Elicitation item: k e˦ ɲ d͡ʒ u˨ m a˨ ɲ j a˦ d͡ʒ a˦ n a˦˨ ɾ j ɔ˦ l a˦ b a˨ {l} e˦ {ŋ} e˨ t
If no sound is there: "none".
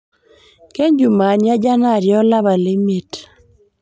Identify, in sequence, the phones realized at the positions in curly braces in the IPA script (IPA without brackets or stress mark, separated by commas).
l, m